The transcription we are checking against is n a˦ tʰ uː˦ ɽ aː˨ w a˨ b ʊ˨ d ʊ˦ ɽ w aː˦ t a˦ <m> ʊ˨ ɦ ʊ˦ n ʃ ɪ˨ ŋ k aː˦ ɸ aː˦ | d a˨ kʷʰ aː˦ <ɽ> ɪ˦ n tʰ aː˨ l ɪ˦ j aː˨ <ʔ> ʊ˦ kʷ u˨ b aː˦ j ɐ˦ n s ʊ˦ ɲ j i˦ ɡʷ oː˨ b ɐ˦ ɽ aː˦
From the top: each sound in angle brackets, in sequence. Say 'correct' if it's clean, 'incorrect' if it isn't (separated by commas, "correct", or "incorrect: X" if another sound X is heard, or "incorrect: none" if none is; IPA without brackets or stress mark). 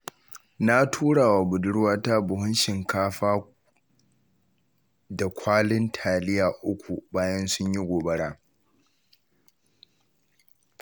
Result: incorrect: b, incorrect: l, correct